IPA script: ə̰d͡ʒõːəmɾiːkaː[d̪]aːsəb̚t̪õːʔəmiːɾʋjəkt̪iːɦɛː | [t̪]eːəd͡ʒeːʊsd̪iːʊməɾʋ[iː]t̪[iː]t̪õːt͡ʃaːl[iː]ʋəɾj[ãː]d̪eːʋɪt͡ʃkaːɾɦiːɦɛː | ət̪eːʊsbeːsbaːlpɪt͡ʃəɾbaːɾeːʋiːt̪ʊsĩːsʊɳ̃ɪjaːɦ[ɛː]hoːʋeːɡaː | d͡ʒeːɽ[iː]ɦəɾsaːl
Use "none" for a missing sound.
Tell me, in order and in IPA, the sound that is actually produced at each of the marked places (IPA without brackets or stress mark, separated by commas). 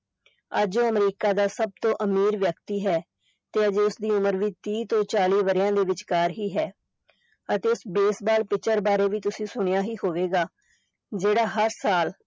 d̪, t̪, iː, iː, iː, ãː, iː, aː